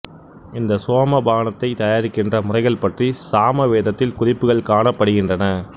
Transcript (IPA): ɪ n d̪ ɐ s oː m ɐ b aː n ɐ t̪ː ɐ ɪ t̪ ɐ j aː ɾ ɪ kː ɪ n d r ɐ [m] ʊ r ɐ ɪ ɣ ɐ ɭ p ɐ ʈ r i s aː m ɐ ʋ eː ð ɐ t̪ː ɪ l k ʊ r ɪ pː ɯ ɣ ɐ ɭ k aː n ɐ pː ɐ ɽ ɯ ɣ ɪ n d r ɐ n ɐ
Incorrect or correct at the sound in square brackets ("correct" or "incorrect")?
correct